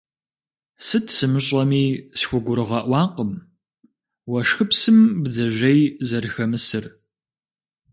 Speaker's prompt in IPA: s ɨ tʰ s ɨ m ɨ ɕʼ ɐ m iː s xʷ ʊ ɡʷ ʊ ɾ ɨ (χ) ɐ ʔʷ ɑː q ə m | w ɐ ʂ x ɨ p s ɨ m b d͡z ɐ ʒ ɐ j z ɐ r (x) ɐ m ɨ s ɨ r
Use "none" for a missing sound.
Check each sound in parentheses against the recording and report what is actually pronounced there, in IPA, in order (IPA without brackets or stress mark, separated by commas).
ʁ, x